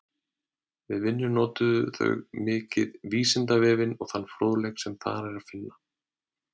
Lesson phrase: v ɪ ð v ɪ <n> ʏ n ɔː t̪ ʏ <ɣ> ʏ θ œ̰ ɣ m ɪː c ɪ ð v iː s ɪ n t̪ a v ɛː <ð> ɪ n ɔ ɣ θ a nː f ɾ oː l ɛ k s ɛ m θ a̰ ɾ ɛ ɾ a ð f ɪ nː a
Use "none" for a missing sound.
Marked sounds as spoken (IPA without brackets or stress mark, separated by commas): nː, ð, v